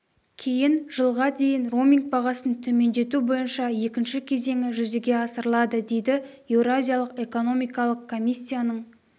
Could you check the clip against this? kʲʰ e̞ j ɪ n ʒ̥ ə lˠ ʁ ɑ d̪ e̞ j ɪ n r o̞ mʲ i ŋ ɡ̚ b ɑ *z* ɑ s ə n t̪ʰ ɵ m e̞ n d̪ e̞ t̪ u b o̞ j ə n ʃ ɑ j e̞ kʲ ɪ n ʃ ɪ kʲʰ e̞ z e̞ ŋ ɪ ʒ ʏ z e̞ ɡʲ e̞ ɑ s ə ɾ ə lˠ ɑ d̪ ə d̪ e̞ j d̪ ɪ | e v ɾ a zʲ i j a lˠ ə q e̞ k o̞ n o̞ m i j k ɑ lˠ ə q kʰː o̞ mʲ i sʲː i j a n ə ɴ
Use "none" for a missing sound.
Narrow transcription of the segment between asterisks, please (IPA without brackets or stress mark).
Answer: ʁ